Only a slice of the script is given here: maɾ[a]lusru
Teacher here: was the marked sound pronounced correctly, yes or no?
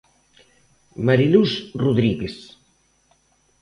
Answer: no